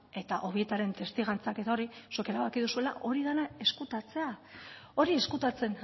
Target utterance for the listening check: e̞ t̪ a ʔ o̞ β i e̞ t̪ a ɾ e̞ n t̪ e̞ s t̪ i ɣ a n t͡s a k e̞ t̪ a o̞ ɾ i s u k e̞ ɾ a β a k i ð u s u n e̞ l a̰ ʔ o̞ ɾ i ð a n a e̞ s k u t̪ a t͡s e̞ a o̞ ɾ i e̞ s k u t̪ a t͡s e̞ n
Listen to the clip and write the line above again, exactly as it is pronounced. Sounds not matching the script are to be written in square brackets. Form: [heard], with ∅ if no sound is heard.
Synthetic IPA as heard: e̞ t̪ a ʔ o̞ β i e̞ t̪ a ɾ e̞ n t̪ e̞ s t̪ i ɣ a n t͡s a k e̞ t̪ a o̞ ɾ i s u k e̞ ɾ a β a k i ð u s u [∅] e̞ l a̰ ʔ o̞ ɾ i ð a n a e̞ s k u t̪ a t͡s e̞ a o̞ ɾ i e̞ s k u t̪ a t͡s e̞ n

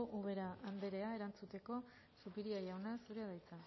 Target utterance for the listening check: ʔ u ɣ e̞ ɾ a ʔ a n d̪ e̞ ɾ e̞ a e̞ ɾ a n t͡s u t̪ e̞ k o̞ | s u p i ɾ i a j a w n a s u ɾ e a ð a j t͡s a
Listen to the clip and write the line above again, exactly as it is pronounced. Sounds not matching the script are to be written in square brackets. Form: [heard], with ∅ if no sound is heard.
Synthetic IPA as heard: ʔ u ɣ e̞ ɾ a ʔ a n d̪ e̞ ɾ e̞ a e̞ ɾ a n t͡s u t̪ e̞ k o̞ | s u p i ɾ i a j a w n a s u ɾ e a ð a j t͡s a

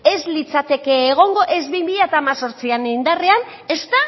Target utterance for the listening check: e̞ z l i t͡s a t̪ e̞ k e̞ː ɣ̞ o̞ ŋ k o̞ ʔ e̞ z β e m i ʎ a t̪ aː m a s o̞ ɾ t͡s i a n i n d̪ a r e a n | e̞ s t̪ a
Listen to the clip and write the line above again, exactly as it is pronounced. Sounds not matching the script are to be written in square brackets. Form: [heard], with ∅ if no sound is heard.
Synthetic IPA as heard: e̞ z l i t͡s a t̪ e̞ k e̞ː ɣ̞ o̞ ŋ [ɡ] o̞ ʔ e̞ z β [i] m i ʎ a t̪ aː m a s o̞ ɾ t͡s i a n i n d̪ a r e a n | e̞ s t̪ a

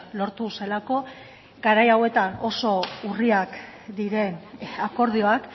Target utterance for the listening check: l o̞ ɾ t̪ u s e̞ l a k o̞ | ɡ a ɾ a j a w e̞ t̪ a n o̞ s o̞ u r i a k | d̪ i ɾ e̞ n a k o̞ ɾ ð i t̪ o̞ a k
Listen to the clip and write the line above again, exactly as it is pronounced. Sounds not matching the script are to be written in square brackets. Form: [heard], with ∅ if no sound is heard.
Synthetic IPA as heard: l o̞ ɾ t̪ u s e̞ l a k o̞ | ɡ a ɾ a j a w e̞ t̪ a n o̞ s o̞ u r i a k | d̪ i ɾ e̞ n a k o̞ ɾ ð i [∅] o̞ a k

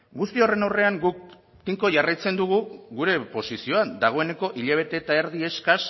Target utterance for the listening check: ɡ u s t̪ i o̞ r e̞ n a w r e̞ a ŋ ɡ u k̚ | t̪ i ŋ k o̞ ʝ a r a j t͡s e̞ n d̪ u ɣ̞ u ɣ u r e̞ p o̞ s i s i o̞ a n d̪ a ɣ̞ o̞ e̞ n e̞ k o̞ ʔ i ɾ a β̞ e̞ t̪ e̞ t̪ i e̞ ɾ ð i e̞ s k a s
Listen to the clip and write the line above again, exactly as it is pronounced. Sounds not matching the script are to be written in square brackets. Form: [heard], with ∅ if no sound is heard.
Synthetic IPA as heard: ɡ u s t̪ i o̞ r e̞ n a w r e̞ a ŋ ɡ u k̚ | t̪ i ŋ k o̞ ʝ a r a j t͡s e̞ n d̪ u ɣ̞ u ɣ u [ɾ] e̞ p o̞ s i s i o̞ a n d̪ a ɣ̞ o̞ e̞ n e̞ k o̞ ʔ i [ʎ] a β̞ e̞ t̪ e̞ t̪ [a] e̞ ɾ ð i e̞ s k a s

